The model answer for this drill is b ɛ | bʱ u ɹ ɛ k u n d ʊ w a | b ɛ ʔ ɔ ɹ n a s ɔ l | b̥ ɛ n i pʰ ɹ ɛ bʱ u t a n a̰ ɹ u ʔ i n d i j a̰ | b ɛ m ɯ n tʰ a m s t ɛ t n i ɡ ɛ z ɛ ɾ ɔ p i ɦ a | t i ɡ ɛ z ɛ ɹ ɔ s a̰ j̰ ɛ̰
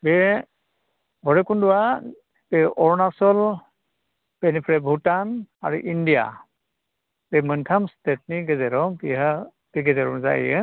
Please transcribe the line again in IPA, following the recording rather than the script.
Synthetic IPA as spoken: b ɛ | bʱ ɔ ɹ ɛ k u n d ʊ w a | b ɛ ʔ ɔ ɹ n a s ɔ l | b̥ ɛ n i pʰ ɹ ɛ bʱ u t a n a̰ ɹ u ʔ i n d i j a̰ | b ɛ m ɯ n tʰ a m s t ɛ t n i ɡ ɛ z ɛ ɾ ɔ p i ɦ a | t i ɡ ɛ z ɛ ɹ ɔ z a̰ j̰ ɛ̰